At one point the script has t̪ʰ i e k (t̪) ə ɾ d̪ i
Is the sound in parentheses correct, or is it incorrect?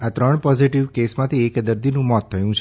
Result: incorrect